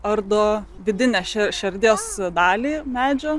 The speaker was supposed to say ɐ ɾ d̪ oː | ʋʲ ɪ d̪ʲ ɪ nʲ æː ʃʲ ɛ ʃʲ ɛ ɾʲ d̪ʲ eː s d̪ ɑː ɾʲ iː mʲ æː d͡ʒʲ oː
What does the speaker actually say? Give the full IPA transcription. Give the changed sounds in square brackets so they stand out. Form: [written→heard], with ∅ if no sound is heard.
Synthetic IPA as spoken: ɐ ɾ d̪ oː | ʋʲ ɪ d̪ʲ ɪ nʲ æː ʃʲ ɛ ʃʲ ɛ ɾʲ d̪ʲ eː s d̪ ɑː [ɾʲ→lʲ] iː mʲ æː d͡ʒʲ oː

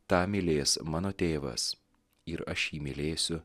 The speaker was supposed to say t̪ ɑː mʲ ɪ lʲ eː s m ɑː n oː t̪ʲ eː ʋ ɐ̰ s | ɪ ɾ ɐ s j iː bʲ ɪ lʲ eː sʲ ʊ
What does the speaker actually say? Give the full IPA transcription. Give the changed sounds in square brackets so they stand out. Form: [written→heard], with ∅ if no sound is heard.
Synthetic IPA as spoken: t̪ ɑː mʲ ɪ lʲ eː s m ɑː n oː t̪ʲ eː ʋ ɐ̰ s | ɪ ɾ ɐ [s→ʃ] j iː [bʲ→mʲ] ɪ lʲ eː sʲ ʊ

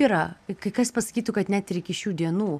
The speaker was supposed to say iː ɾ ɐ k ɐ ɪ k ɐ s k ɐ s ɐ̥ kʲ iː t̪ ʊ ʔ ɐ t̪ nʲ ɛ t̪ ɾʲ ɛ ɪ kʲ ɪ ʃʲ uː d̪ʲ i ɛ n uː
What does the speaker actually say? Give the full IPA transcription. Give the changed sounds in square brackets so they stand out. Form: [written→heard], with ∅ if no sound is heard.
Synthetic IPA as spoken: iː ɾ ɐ k ɐ ɪ k ɐ s [k→p] ɐ s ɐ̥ kʲ iː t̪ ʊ [ʔ→k] ɐ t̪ nʲ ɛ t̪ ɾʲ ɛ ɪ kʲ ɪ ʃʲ uː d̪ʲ i ɛ n uː

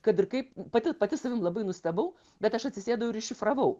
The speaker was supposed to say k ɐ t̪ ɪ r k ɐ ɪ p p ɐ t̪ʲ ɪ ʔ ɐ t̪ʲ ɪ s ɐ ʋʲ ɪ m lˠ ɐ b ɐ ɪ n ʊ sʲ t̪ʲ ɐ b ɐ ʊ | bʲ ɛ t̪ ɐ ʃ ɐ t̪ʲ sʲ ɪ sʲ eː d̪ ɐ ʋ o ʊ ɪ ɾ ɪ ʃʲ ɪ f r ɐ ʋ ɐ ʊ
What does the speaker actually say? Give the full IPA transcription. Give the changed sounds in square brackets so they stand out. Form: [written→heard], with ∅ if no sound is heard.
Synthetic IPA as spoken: k ɐ t̪ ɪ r k ɐ ɪ p p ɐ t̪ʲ ɪ [ʔ→p] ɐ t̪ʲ ɪ s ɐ ʋʲ ɪ m lˠ ɐ b ɐ ɪ n ʊ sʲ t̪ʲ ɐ b ɐ ʊ | bʲ ɛ t̪ ɐ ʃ ɐ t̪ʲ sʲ ɪ sʲ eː d̪ ɐ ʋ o ʊ ɪ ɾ ɪ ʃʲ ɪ f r ɐ ʋ ɐ ʊ

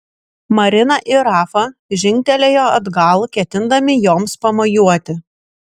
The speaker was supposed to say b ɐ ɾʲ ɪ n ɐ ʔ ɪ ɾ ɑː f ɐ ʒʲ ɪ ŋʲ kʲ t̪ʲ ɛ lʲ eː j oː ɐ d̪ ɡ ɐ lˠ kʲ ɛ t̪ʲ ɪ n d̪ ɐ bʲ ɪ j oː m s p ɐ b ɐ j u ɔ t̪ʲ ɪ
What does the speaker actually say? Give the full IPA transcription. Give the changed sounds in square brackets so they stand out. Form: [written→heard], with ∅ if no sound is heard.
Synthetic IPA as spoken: [b→m] ɐ ɾʲ ɪ n ɐ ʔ ɪ ɾ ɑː f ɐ ʒʲ ɪ ŋʲ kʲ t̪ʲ ɛ lʲ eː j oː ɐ d̪ ɡ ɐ lˠ kʲ ɛ t̪ʲ ɪ n d̪ ɐ [bʲ→mʲ] ɪ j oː m s p ɐ [b→m] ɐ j u ɔ t̪ʲ ɪ

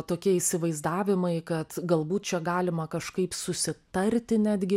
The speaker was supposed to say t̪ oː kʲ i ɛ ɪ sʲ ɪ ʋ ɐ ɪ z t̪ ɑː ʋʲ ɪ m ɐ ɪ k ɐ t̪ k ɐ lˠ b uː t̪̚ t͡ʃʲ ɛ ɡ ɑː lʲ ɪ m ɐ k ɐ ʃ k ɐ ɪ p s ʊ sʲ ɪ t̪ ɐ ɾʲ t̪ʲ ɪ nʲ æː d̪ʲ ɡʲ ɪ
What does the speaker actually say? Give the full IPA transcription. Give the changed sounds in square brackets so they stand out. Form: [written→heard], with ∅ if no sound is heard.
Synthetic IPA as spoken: t̪ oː kʲ i ɛ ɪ sʲ ɪ ʋ ɐ ɪ z [t̪→d̪] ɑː ʋʲ ɪ m ɐ ɪ k ɐ t̪ [k→ɡ] ɐ lˠ b uː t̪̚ t͡ʃʲ ɛ ɡ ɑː lʲ ɪ m ɐ k ɐ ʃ k ɐ ɪ p s ʊ sʲ ɪ t̪ ɐ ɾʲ t̪ʲ ɪ nʲ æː d̪ʲ ɡʲ ɪ

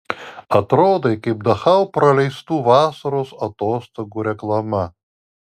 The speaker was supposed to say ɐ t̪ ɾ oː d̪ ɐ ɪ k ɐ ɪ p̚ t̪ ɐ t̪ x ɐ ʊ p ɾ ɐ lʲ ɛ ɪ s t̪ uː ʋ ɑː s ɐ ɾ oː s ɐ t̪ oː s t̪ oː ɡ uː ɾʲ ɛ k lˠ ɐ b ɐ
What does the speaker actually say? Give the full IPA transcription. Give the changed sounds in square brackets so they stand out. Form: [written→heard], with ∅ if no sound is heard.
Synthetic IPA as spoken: ɐ t̪ ɾ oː d̪ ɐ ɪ k ɐ ɪ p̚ [t̪→d̪] ɐ [t̪→∅] x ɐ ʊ p ɾ ɐ lʲ ɛ ɪ s t̪ uː ʋ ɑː s ɐ ɾ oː s ɐ t̪ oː s t̪ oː ɡ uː ɾʲ ɛ k lˠ ɐ [b→m] ɐ

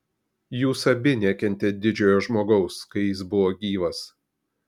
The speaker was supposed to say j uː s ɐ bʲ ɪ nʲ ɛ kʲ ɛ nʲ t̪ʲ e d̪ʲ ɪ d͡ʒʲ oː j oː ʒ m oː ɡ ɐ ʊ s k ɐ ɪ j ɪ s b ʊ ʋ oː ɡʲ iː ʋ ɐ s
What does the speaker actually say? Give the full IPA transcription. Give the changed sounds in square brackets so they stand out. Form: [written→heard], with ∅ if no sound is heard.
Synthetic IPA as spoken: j uː s ɐ bʲ ɪ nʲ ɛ kʲ ɛ nʲ t̪ʲ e d̪ʲ ɪ d͡ʒʲ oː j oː ʒ m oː ɡ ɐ ʊ s k ɐ ɪ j ɪ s b ʊ ʋ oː ɡʲ iː ʋ ɐ s

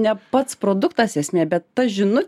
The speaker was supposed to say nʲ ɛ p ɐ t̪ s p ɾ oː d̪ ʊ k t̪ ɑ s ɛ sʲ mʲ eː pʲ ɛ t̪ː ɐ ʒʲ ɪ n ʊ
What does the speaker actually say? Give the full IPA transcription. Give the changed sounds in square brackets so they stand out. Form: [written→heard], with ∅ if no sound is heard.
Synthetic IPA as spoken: nʲ ɛ p ɐ t̪ s p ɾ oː d̪ ʊ k t̪ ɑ s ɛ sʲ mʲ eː [pʲ→bʲ] ɛ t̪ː ɐ ʒʲ ɪ n ʊ

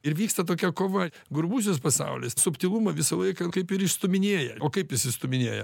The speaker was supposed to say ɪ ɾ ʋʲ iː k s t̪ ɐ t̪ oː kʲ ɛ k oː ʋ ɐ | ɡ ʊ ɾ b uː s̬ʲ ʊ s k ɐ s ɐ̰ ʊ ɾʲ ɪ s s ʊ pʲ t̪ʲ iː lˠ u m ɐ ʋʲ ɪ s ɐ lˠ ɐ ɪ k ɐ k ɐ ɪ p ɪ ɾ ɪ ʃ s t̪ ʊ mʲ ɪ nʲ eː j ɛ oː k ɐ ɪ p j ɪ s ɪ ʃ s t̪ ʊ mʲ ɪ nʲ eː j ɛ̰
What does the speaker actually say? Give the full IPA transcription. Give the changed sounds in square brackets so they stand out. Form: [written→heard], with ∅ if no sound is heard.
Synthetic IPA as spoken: ɪ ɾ ʋʲ iː k s t̪ ɐ t̪ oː kʲ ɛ k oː ʋ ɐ | ɡ ʊ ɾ b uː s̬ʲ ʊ s [k→p] ɐ s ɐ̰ ʊ [ɾʲ→lʲ] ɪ s s ʊ pʲ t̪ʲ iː lˠ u m ɐ ʋʲ ɪ s ɐ lˠ ɐ ɪ k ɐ k ɐ ɪ p ɪ ɾ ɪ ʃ s t̪ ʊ mʲ ɪ nʲ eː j ɛ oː k ɐ ɪ p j ɪ s ɪ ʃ s t̪ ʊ mʲ ɪ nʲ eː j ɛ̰

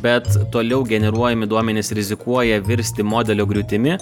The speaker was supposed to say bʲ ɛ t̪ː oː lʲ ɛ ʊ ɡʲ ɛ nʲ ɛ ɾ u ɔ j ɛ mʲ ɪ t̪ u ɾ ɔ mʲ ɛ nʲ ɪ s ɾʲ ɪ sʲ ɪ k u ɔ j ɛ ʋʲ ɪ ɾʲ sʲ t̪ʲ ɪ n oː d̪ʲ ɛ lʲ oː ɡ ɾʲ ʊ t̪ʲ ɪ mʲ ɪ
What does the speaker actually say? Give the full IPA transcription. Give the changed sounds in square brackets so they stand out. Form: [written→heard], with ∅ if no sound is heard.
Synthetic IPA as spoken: bʲ ɛ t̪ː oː lʲ ɛ ʊ ɡʲ ɛ nʲ ɛ ɾ u ɔ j ɛ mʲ ɪ [t̪→d̪] u [ɾ→∅] ɔ mʲ ɛ nʲ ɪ s ɾʲ ɪ [sʲ→zʲ] ɪ k u ɔ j ɛ ʋʲ ɪ ɾʲ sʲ t̪ʲ ɪ [n→m] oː d̪ʲ ɛ lʲ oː ɡ ɾʲ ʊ t̪ʲ ɪ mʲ ɪ

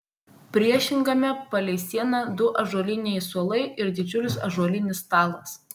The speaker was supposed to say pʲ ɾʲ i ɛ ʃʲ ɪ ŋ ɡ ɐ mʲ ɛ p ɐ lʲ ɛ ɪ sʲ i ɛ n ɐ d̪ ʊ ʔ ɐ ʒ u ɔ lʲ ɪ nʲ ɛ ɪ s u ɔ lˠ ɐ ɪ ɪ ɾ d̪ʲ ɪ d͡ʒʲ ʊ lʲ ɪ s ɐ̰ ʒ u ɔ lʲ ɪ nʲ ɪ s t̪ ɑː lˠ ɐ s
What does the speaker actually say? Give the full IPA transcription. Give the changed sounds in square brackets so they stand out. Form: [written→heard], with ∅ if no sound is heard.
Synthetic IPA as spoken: pʲ ɾʲ i ɛ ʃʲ ɪ ŋ ɡ ɐ mʲ ɛ p ɐ lʲ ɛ ɪ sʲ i ɛ n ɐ d̪ ʊ ʔ ɐ ʒ u ɔ lʲ ɪ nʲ ɛ ɪ s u ɔ lˠ ɐ ɪ ɪ ɾ d̪ʲ ɪ d͡ʒʲ ʊ lʲ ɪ s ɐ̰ ʒ u ɔ lʲ ɪ nʲ ɪ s t̪ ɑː lˠ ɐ s

